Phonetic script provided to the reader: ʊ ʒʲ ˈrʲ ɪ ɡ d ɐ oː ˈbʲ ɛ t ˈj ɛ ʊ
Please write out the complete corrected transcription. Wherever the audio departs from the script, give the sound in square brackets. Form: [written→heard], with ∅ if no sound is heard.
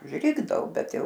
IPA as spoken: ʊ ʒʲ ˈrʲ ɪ ɡ d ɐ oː ˈbʲ ɛ t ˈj ɛ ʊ